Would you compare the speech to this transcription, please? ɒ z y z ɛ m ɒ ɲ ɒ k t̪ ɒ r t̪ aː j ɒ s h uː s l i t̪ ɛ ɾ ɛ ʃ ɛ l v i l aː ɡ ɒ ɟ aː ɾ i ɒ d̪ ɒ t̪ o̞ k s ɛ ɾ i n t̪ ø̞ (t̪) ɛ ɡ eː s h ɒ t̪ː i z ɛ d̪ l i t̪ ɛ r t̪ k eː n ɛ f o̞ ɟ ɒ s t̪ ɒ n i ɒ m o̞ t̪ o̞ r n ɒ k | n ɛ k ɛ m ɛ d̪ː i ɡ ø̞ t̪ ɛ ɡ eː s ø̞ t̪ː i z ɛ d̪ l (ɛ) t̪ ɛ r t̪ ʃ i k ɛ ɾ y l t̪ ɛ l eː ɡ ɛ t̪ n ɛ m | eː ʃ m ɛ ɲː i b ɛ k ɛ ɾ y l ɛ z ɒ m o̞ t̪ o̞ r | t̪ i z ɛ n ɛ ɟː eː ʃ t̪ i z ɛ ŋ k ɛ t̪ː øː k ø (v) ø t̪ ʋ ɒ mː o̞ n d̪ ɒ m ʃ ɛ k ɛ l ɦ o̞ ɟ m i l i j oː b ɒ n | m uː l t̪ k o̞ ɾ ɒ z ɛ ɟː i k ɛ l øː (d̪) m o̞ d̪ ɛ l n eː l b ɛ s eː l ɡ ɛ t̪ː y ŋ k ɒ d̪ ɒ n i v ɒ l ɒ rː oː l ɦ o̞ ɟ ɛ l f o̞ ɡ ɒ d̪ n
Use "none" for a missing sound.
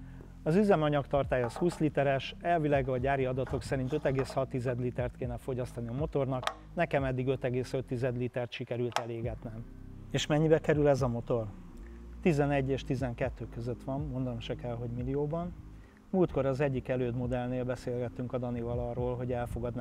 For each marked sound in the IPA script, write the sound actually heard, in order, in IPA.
t̪, i, z, d̪

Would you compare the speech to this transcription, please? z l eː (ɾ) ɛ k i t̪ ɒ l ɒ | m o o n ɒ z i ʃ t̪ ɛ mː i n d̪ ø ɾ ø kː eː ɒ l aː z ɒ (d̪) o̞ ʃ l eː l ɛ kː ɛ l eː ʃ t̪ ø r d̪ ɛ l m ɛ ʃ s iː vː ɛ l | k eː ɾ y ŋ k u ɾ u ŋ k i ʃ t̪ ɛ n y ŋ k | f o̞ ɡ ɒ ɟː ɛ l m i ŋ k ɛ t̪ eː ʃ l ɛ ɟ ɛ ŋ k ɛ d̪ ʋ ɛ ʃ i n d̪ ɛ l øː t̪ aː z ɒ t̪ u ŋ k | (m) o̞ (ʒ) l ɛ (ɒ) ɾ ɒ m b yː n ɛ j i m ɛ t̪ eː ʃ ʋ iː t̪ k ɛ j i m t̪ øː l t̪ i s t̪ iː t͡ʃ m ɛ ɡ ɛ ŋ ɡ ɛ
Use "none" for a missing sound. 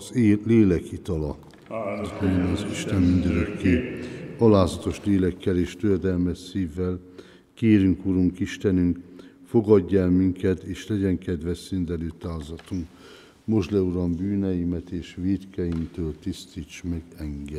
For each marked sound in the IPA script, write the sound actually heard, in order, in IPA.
l, t̪, m, ʒ, u

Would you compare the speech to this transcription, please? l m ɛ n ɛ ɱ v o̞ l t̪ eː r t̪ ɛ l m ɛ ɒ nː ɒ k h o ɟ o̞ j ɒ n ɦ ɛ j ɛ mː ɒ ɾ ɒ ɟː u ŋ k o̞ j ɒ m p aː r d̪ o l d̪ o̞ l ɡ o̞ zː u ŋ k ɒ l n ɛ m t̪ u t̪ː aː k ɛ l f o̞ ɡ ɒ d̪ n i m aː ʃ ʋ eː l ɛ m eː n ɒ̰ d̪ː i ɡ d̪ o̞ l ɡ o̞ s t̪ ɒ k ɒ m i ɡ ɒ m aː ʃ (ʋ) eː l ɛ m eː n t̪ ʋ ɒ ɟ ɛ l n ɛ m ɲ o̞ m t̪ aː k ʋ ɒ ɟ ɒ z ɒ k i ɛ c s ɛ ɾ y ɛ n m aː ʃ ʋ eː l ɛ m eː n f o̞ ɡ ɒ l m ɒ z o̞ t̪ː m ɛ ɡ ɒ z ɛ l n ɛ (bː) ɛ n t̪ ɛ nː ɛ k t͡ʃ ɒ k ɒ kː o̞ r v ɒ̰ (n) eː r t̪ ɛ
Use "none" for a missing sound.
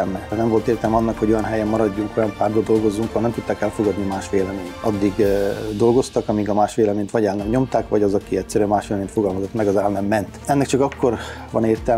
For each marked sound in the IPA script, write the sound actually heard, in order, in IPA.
ʋ, mː, n

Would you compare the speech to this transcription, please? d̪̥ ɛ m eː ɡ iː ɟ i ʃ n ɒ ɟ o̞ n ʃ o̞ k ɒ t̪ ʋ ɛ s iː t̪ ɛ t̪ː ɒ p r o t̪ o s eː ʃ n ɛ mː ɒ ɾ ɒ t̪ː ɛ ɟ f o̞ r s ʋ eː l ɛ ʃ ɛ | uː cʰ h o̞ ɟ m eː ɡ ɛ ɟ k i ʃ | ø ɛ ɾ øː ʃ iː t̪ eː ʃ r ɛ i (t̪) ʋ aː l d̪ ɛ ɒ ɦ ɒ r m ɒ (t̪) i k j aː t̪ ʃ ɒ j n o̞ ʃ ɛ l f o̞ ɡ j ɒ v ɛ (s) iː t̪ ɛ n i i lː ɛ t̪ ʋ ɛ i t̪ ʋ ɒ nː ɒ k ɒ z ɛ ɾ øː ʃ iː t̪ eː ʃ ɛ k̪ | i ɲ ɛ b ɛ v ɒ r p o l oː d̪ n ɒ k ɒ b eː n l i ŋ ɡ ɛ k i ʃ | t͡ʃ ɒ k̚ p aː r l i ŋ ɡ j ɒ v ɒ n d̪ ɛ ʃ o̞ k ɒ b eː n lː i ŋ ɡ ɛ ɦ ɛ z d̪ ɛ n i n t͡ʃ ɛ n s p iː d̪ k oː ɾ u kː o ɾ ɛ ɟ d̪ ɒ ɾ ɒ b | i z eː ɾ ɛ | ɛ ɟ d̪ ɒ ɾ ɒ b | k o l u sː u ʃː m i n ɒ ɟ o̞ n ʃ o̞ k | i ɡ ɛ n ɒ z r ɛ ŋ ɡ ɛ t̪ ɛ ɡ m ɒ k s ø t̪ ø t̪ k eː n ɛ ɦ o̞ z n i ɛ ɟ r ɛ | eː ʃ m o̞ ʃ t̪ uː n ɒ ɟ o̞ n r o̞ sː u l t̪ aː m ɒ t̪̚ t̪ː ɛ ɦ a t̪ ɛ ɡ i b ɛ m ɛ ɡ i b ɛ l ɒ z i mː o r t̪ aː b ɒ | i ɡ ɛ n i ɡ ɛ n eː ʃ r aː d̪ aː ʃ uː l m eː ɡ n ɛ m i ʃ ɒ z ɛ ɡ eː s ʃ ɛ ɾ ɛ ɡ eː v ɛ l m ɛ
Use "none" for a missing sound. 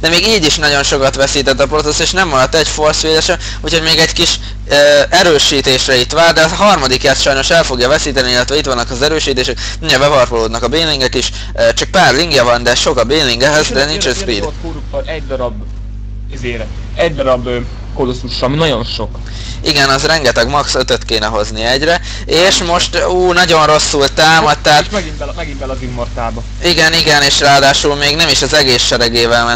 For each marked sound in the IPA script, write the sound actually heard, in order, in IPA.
t̪, d̪, s

